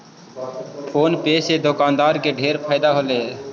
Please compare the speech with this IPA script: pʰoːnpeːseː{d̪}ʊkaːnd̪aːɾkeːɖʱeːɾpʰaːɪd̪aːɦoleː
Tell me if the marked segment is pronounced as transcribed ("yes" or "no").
yes